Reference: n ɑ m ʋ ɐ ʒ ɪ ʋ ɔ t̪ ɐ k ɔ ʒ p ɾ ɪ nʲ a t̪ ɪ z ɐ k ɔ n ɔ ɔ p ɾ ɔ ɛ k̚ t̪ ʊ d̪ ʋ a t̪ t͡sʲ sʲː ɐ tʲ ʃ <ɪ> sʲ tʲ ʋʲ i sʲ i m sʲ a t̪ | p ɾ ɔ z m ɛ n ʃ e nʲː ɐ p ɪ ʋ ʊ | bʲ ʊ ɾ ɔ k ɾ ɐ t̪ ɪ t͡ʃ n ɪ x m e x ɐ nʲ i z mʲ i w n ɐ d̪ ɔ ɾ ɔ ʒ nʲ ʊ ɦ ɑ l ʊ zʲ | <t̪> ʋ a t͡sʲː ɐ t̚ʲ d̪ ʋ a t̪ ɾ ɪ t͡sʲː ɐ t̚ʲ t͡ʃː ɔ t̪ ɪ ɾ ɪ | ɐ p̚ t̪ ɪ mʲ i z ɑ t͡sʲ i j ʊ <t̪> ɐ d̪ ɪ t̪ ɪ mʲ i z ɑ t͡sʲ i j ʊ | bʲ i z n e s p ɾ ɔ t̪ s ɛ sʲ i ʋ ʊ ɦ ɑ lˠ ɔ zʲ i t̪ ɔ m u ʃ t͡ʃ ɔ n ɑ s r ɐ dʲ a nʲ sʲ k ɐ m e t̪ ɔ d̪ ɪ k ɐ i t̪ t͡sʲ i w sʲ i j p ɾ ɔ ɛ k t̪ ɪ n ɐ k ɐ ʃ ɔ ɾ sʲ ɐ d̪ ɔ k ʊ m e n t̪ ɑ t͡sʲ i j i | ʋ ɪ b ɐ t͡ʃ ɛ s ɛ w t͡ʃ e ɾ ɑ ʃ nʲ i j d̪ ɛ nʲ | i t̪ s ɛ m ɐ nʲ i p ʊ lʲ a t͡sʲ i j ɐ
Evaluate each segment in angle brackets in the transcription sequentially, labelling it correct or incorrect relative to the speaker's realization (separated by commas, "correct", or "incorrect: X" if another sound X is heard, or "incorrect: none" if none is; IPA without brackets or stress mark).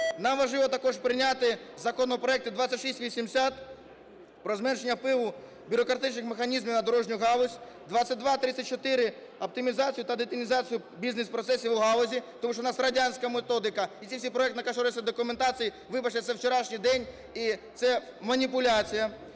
incorrect: i, incorrect: d̪, correct